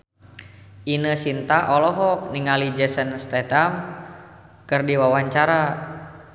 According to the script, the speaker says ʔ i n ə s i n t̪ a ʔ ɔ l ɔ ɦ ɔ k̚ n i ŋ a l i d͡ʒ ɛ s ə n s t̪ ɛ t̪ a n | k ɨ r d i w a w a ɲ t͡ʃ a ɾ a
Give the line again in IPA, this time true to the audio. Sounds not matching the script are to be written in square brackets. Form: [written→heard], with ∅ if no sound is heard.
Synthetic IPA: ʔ i n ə s i n t̪ a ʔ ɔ l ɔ ɦ ɔ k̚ n i ŋ a l i d͡ʒ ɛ s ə n s t̪ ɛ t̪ a [n→m] | k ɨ r d i w a w a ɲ t͡ʃ a ɾ a